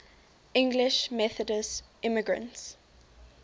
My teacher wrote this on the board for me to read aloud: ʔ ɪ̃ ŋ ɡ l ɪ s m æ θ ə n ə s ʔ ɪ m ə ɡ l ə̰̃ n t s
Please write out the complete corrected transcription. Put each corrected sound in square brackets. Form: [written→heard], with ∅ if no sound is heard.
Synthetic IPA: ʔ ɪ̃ ŋ ɡ l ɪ [s→ʃ] m [æ→ɛ] θ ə [n→d] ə s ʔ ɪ m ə ɡ [l→ɹ] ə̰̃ n t s